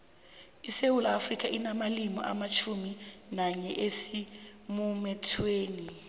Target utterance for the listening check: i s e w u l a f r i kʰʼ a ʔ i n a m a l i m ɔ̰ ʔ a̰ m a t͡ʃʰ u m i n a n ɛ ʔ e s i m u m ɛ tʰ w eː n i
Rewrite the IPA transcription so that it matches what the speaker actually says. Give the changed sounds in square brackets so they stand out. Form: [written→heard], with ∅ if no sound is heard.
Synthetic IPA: i s e w u l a f r i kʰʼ a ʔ i n a m a l i m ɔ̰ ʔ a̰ m a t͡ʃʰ u m i n a [n→ɲ] ɛ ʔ e s i m u m ɛ tʰ w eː n i